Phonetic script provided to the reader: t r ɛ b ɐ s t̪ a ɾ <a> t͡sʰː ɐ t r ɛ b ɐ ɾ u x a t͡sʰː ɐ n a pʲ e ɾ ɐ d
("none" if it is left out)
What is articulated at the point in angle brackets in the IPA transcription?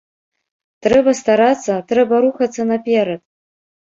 a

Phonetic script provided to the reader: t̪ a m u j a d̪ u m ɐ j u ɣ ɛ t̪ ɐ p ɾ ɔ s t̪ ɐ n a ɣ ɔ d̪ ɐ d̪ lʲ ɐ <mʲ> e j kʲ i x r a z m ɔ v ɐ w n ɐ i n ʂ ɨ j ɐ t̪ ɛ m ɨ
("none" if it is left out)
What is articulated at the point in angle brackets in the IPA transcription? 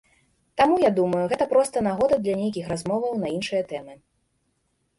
nʲ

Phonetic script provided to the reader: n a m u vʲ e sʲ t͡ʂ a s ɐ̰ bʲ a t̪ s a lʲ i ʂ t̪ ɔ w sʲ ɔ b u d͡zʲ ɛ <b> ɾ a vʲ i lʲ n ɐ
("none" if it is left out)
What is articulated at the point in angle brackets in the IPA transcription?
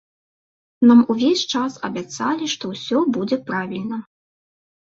p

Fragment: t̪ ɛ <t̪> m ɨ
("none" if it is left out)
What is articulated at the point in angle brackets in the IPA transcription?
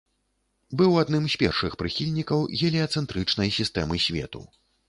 none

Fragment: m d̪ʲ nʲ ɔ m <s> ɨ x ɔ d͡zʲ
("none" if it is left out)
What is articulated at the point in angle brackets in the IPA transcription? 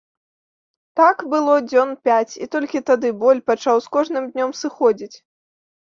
s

